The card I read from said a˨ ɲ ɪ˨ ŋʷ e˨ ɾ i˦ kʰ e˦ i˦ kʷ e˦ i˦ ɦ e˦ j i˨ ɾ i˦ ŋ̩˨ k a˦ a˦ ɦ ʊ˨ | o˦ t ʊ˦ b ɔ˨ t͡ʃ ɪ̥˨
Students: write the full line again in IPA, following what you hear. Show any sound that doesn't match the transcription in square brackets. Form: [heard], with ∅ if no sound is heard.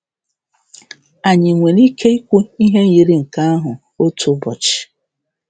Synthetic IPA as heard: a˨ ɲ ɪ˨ ŋʷ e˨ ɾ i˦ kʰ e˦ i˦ kʷ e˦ i˦ ɦ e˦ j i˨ ɾ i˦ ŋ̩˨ k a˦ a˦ ɦ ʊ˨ | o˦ t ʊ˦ b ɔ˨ t͡ʃ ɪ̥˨

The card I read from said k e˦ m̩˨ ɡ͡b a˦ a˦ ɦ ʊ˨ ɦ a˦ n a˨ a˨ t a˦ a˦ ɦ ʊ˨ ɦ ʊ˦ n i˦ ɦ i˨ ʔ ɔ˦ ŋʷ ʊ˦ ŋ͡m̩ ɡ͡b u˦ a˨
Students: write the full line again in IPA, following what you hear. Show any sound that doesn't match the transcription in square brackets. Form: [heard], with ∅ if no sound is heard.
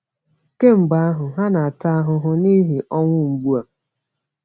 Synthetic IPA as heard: k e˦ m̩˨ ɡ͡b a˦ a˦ ɦ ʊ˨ ɦ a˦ n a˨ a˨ t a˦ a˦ ɦ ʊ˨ ɦ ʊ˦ n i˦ ɦ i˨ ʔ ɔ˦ ŋʷ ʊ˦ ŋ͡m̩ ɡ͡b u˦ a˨

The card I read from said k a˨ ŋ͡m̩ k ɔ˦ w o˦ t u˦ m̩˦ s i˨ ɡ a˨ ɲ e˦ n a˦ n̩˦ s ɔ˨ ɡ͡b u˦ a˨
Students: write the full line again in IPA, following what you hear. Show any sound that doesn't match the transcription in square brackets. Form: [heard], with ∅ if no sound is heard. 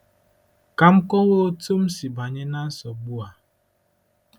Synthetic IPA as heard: k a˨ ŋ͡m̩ k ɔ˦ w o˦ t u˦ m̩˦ s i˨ [b] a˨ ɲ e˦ n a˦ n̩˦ s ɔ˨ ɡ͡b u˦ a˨

